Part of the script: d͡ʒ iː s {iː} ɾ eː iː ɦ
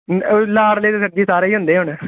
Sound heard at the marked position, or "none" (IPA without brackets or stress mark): aː